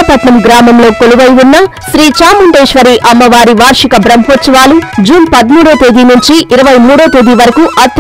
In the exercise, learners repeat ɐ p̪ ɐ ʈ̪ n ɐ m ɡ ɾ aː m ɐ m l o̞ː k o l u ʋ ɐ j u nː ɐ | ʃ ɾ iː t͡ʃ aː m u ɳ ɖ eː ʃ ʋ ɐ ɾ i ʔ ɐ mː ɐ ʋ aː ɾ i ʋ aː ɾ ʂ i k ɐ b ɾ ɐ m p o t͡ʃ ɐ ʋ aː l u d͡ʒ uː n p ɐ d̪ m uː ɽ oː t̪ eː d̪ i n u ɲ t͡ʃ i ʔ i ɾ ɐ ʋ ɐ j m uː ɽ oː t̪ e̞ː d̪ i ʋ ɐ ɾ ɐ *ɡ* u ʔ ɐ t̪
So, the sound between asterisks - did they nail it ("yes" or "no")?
no